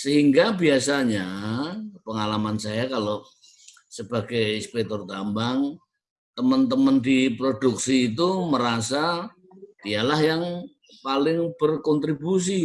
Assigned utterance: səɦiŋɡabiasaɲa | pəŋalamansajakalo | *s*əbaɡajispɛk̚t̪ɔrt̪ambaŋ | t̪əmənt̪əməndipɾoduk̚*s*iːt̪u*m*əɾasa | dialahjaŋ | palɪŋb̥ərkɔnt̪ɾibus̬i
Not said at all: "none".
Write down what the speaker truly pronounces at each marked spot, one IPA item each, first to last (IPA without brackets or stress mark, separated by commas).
s, s, m